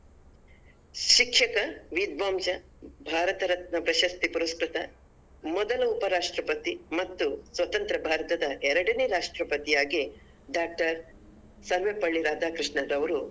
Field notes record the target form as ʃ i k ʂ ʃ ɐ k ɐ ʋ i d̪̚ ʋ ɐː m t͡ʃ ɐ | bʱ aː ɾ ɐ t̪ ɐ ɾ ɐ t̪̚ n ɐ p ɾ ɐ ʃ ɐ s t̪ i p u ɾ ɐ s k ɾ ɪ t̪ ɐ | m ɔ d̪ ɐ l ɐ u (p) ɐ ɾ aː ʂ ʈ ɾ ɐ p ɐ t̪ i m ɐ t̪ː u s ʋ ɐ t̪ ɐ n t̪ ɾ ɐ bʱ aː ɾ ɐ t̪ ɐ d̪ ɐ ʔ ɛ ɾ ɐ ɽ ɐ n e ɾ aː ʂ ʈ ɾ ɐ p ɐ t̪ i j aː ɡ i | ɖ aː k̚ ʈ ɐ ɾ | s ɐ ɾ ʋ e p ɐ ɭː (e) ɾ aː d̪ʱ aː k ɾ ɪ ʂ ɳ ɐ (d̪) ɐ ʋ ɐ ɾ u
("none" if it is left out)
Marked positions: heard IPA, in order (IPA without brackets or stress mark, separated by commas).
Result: p, i, d̪